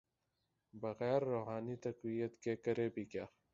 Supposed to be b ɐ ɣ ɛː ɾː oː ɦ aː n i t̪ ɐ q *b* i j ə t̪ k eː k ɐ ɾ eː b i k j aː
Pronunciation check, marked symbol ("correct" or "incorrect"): incorrect